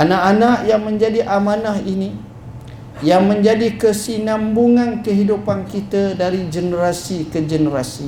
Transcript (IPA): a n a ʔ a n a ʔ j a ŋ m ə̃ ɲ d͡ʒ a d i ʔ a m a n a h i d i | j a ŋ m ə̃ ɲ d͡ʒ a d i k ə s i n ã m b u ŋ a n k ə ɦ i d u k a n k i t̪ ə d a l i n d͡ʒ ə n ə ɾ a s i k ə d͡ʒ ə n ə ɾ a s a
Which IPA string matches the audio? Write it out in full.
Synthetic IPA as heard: a n a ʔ a n a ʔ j a ŋ m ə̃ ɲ d͡ʒ a d i ʔ a m a n a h i n i | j a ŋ m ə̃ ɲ d͡ʒ a d i k ə s i n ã m b u ŋ a n k ə ɦ i d u p a n k i t̪ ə d a ɾ i d͡ʒ ə n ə ɾ a s i k ə d͡ʒ ə n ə ɾ a s i